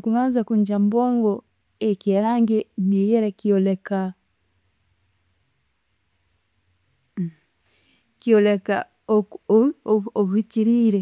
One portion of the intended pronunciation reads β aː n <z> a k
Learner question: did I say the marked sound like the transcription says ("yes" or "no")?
yes